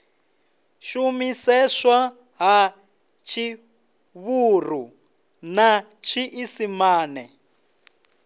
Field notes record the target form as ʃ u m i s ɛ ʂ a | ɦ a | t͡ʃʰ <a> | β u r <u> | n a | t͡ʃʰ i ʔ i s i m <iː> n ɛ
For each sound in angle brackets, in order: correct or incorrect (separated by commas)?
incorrect, correct, incorrect